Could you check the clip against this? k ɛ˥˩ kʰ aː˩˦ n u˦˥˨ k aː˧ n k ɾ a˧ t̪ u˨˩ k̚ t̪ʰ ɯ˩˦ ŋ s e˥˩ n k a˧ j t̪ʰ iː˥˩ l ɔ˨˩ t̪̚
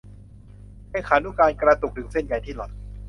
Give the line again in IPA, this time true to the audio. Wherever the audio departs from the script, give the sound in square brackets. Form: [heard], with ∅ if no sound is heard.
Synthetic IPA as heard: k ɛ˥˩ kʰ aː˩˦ n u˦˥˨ k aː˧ n k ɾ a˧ t̪ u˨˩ k̚ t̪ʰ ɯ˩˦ ŋ s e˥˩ n k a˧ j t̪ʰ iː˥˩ l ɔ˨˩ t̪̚